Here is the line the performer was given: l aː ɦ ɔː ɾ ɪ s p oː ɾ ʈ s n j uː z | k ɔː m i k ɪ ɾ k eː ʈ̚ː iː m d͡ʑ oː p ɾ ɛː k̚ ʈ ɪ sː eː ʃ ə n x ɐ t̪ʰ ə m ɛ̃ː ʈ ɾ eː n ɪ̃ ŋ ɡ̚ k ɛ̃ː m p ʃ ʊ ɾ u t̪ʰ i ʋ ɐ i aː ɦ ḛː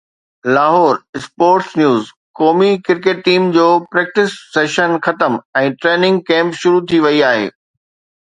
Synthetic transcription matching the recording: l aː ɦ ɔː ɾ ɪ s p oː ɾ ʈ s n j uː z | k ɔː m i k ɪ ɾ k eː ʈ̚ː iː m d͡ʑ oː p ɾ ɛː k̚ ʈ ɪ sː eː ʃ ə n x ɐ t̪ ə m ɛ̃ː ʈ ɾ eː n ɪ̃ ŋ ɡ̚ k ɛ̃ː m p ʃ ʊ ɾ u t̪ʰ i ʋ ɐ i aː ɦ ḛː